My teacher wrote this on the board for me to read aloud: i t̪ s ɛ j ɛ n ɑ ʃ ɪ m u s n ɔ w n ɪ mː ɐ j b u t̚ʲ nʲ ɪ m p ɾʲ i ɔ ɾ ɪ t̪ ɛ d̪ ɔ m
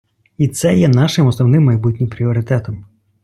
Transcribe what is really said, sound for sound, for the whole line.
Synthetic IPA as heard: i t̪ s ɛ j ɛ n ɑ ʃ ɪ m ɔ s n ɔ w n ɪ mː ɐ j b u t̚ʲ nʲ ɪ m p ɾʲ i ɔ ɾ ɪ t̪ ɛ t̪ ɔ m

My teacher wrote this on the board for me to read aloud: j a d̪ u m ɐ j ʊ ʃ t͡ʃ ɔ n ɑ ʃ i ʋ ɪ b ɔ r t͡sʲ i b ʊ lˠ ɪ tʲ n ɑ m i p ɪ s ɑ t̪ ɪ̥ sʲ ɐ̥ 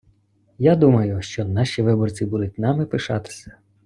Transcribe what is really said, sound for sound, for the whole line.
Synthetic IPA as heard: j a d̪ u m ɐ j ʊ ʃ t͡ʃ ɔ n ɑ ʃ i ʋ ɪ b ɔ r t͡sʲ i b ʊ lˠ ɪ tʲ n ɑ m ɪ p ɪ ʃ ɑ t̪ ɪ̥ sʲ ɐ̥

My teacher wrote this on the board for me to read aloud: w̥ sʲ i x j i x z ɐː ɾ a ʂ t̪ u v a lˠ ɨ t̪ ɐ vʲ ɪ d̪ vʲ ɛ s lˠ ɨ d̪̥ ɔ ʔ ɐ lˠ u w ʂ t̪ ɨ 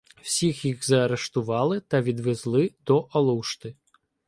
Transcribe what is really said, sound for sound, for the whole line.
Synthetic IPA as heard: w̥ sʲ i x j i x z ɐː ɾ ɛ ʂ t̪ u v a lˠ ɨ t̪ ɐ vʲ i d̪ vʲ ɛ z lˠ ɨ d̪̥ ɔ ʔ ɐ lˠ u w ʂ t̪ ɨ

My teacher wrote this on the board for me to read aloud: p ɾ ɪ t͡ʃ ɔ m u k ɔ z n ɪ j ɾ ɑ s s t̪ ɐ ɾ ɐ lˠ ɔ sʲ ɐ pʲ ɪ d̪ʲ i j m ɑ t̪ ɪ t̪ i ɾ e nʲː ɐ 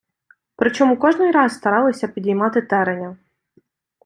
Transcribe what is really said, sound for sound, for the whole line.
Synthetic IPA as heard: p ɾ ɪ t͡ʃ ɔ m u k ɔ ʒ n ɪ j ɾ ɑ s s t̪ ɐ ɾ ɑ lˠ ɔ sʲ ɐ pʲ i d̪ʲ i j m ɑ t̪ ɪ t̪ ɛ ɾ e nʲ ɐ

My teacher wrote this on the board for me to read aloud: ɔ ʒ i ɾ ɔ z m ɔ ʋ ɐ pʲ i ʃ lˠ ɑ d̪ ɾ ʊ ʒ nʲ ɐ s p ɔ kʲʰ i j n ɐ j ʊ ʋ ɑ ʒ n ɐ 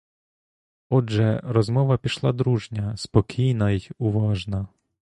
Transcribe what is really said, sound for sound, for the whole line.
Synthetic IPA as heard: ɔ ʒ ɛ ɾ ɔ z m ɔ ʋ ɐ pʲ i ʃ lˠ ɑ d̪ ɾ u ʒ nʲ ɐ s p ɔ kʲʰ i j n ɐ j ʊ ʋ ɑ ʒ n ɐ

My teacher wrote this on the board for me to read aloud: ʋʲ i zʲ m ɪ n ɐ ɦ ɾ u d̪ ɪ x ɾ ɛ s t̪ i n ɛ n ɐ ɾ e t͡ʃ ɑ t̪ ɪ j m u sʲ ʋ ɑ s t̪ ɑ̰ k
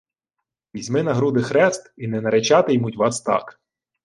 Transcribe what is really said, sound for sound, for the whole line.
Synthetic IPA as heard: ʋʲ i zʲ m ɪ n ɐ ɦ ɾ u d̪ ɪ x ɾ ɛ s t̪ i n ɛ n ɐ ɾ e t͡ʃ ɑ t̪ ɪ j m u tʲ ʋ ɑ s t̪ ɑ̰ k

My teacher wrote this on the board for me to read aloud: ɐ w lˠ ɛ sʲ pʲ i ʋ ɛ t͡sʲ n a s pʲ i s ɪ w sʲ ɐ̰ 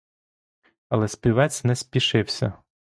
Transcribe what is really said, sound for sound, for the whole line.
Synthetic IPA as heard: ɐ lˠ ɛ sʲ pʲ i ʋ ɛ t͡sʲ n ɛ s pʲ i ʃ ɪ w sʲ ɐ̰

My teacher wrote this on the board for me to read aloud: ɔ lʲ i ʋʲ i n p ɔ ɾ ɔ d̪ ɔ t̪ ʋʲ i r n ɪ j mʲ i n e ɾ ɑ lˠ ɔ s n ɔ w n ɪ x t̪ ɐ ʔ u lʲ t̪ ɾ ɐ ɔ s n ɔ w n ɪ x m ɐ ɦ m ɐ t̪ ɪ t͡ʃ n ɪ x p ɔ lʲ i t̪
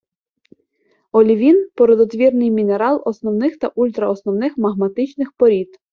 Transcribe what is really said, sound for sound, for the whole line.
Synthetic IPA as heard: ɔ lʲ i ʋʲ i n p ɔ ɾ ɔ d̪ ɔ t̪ ʋʲ i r n ɪ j mʲ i n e ɾ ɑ lˠ ɔ s n ɔ w n ɪ x t̪ ɐ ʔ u lʲ t̪ ɾ ɐ ɔ s n ɔ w n ɪ x m ɐ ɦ m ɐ t̪ ɪ t͡ʃ n ɪ x p ɔ ɾʲ i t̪

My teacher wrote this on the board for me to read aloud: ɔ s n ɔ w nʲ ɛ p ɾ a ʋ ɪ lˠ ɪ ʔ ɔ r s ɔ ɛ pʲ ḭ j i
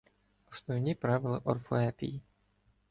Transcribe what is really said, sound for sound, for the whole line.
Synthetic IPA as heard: ɔ s n ɔ w nʲ i p ɾ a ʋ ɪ lˠ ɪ ʔ ɔ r f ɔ ɛ pʲ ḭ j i

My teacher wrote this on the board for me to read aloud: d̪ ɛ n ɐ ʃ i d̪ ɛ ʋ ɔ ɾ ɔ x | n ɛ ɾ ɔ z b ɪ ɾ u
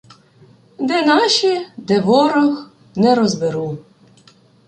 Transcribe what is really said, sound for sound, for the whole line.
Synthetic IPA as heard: d̪ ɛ n ɑ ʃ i d̪ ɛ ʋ ɔ ɾ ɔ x | n ɛ ɾ ɔ z b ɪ ɾ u

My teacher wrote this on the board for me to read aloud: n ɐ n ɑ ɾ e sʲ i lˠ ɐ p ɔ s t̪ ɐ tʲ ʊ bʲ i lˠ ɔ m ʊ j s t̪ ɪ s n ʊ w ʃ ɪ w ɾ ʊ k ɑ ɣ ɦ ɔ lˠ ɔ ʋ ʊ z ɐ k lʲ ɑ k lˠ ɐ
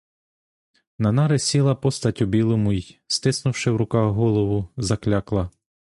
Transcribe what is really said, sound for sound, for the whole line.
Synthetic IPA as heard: n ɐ n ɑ ɾ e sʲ i lˠ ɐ p ɔ s t̪ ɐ tʲ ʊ bʲ i lˠ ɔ m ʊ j s t̪ ɪ s n ʊ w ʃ ɪ w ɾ ʊ k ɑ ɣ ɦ ɔ lˠ ɔ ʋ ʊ z ɐ k lʲ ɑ k lˠ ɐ

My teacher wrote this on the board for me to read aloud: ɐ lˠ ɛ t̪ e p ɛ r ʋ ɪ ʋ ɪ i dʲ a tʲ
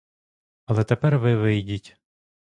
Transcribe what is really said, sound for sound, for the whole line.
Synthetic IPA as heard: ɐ lˠ ɛ t̪ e p ɛ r ʋ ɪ ʋ ɪ j dʲ i tʲ

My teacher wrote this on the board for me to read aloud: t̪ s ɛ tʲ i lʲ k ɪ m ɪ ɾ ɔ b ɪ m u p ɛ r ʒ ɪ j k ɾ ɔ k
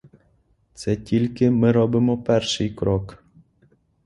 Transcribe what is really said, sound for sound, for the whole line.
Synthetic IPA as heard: t̪ s ɛ tʲ i lʲ k ɪ m ɪ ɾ ɔ b ɪ m ɔ p ɛ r ʃ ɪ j k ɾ ɔ k

